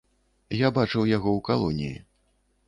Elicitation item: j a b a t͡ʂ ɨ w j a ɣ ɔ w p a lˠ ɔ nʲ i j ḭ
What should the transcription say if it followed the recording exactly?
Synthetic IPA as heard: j a b a t͡ʂ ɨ w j a ɣ ɔ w k a lˠ ɔ nʲ i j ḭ